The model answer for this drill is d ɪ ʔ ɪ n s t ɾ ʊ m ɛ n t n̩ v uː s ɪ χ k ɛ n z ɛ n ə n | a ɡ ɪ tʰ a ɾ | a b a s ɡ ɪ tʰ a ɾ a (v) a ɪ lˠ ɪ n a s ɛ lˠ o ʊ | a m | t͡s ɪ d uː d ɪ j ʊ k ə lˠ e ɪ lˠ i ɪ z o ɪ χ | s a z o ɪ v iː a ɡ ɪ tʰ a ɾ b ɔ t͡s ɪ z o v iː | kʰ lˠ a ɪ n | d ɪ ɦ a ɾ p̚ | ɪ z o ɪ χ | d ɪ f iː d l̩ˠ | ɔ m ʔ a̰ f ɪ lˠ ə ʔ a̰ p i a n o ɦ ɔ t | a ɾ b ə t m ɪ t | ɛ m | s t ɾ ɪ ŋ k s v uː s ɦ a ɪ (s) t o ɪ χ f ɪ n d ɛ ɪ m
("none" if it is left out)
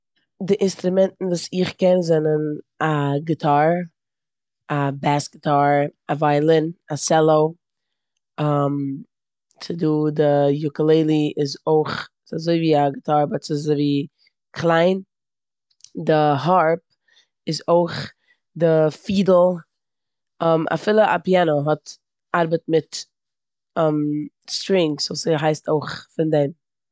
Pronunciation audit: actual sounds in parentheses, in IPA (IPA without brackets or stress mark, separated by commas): v, s